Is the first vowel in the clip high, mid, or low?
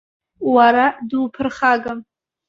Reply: low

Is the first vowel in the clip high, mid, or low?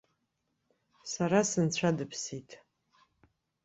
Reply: low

